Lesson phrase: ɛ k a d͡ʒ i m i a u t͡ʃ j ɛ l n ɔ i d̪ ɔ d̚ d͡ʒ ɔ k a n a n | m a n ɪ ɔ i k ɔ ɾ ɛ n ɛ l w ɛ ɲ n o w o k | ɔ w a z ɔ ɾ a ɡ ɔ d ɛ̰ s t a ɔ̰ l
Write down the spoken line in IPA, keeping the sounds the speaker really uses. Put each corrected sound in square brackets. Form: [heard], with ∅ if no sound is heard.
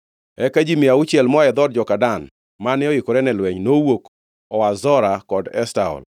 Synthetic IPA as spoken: ɛ k a d͡ʒ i m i a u t͡ʃ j ɛ l [m] ɔ [ɛ] d̪ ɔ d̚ d͡ʒ ɔ k a [d] a n | m a n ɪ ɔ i k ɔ ɾ ɛ n ɛ l w ɛ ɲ n o w o k | ɔ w a z ɔ ɾ a [k] ɔ d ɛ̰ s t a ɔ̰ l